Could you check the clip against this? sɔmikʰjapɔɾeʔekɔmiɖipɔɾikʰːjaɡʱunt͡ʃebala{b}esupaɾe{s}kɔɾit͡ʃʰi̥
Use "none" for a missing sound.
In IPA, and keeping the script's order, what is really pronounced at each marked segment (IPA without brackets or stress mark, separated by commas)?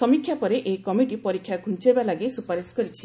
ɡ, s